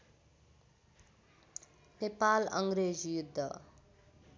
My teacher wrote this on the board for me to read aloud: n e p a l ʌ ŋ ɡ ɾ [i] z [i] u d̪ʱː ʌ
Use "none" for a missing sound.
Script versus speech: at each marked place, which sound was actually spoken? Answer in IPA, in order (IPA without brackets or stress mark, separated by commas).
e, j